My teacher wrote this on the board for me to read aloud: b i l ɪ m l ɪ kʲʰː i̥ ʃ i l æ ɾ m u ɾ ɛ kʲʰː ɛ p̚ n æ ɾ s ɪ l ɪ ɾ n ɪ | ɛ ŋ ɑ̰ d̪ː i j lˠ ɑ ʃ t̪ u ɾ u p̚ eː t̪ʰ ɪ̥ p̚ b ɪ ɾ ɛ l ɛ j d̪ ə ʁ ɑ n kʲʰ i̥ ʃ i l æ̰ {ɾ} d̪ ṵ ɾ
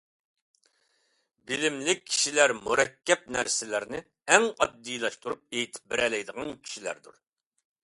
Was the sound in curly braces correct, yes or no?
yes